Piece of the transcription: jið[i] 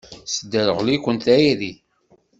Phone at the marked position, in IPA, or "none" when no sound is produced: i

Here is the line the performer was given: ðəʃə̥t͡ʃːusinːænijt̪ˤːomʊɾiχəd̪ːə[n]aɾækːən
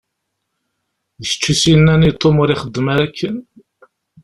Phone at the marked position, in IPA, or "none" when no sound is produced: m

